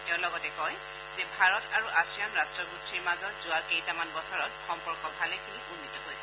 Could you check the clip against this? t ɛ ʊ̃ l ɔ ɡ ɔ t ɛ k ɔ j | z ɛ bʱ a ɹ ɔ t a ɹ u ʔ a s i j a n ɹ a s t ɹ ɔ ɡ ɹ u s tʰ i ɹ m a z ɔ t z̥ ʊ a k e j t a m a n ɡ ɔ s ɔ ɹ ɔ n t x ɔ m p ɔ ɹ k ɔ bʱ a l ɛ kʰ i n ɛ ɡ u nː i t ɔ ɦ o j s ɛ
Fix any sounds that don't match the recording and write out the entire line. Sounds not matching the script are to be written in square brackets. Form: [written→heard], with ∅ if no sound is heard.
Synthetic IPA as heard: t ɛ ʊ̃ l ɔ ɡ ɔ t ɛ k ɔ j | z ɛ bʱ a ɹ ɔ t a ɹ u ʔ a s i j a n ɹ a s t ɹ ɔ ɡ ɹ u s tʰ i ɹ m a z ɔ t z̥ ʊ a k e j t a m a n [ɡ→b] ɔ s ɔ ɹ ɔ [n→∅] t x ɔ m p ɔ ɹ k ɔ bʱ a l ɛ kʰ i n [ɛ→i] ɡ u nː i t ɔ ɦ o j s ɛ